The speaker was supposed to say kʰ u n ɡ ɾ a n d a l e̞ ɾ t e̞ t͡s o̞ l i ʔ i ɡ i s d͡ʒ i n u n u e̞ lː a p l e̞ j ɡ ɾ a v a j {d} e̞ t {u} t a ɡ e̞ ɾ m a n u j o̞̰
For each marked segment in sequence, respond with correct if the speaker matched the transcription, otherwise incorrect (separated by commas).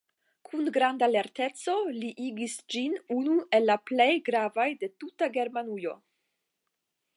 correct, correct